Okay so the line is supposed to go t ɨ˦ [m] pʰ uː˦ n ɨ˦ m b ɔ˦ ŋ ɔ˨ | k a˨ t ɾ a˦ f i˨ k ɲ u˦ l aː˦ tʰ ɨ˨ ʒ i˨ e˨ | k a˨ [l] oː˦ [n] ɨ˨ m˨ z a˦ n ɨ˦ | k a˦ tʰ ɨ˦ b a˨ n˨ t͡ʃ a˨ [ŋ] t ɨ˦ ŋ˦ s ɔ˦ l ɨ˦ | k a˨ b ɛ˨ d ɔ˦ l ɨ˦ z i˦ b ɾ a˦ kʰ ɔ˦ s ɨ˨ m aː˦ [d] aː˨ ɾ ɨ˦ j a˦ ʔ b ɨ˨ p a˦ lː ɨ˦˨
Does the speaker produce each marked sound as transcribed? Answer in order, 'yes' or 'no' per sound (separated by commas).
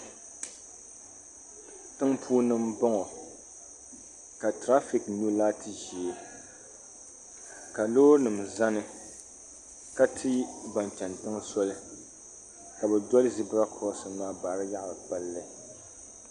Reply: no, yes, yes, no, no